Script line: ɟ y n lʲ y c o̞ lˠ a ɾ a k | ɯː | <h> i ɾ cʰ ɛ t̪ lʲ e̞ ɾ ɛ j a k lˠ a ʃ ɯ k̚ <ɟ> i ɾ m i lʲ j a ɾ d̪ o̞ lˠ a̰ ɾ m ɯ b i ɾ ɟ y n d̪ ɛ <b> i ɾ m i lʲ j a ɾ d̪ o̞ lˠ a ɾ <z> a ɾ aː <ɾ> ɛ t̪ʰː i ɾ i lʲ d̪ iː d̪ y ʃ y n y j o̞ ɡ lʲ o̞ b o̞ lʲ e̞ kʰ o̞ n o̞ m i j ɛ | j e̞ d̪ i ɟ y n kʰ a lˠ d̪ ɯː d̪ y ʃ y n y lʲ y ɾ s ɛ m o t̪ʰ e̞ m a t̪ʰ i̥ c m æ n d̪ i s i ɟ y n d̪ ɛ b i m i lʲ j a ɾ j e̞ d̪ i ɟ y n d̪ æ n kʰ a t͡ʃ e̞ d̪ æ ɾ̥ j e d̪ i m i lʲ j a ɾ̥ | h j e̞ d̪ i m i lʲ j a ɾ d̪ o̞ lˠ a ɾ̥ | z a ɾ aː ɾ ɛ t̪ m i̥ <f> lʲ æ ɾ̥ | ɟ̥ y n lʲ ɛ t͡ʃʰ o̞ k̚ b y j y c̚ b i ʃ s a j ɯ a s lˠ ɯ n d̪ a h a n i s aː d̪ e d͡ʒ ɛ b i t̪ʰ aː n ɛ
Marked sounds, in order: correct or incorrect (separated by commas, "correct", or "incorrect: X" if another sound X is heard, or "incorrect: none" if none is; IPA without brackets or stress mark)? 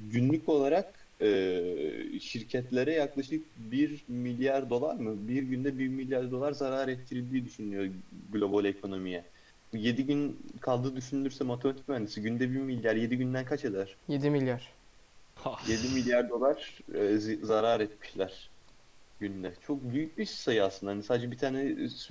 incorrect: ʃ, incorrect: b, correct, correct, correct, incorrect: ʃ